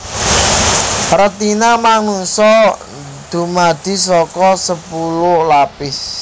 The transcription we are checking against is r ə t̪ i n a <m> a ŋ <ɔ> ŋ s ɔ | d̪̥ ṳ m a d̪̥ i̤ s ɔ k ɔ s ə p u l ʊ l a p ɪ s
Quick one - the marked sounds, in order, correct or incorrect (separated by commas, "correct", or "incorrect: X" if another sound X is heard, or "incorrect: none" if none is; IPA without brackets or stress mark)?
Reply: correct, incorrect: u